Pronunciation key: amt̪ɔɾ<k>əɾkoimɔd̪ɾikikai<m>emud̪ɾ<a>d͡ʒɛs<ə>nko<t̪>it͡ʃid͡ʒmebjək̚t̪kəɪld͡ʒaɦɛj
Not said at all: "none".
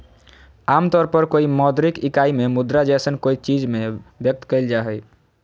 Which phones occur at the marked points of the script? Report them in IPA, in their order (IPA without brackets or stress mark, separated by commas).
p, m, a, ə, none